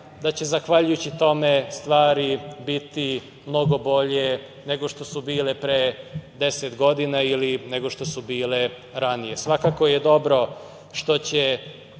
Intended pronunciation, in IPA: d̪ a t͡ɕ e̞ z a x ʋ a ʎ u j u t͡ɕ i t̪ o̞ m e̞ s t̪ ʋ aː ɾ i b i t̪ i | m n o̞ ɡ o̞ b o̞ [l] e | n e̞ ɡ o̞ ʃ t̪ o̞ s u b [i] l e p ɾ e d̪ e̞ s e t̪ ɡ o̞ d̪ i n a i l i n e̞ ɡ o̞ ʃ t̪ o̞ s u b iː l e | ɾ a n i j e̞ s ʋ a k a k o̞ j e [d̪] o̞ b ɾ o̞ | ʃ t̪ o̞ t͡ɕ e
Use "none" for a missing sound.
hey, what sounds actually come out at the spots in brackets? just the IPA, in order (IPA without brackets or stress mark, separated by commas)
ʎ, iː, d̪